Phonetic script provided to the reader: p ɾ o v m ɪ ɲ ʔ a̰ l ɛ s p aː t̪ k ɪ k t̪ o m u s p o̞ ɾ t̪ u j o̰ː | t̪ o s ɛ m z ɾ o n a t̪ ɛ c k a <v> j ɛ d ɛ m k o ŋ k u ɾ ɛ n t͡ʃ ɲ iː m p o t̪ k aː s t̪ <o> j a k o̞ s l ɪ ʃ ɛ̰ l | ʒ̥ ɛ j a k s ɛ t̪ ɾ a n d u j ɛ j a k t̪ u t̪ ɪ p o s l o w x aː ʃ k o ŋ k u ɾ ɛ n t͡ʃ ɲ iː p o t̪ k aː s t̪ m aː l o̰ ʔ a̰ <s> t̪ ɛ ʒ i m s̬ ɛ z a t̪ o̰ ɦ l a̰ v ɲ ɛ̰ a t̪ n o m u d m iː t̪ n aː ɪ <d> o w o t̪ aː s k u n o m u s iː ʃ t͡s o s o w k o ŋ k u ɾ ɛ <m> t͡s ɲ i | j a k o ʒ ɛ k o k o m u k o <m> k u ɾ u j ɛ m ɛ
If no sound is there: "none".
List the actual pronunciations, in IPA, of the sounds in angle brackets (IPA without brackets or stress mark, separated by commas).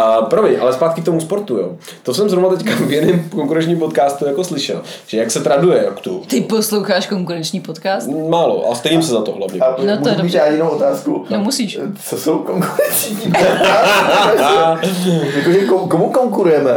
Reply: v, u, s, n, n, ŋ